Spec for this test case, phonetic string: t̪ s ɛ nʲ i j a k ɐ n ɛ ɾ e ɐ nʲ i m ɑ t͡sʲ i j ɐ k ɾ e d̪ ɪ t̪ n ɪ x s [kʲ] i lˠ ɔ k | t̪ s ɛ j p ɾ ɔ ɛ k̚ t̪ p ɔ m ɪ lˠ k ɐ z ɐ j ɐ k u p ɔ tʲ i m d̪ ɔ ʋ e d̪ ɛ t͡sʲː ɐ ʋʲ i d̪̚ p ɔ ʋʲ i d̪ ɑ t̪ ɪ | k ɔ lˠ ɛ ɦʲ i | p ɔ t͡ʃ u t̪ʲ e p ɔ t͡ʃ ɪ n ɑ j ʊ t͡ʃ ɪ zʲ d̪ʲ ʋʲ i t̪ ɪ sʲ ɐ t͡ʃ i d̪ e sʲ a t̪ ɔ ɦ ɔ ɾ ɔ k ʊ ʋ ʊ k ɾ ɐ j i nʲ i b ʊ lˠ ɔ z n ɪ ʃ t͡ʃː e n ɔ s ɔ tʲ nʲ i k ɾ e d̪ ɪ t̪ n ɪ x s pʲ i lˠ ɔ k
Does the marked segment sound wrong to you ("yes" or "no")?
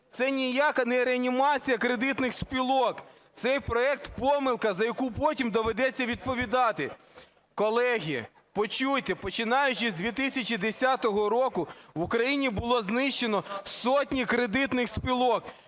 yes